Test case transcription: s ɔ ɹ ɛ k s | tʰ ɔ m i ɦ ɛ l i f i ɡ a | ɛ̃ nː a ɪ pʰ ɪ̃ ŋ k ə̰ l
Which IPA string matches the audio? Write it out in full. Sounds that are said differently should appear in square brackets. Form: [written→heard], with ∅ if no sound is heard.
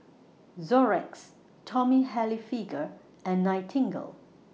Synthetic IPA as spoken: [s→z] ɔ ɹ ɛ k s | tʰ ɔ m i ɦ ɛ l i f i ɡ [a→ə] | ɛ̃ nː a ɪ [pʰ→tʰ] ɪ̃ ŋ [k→ɡ] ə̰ l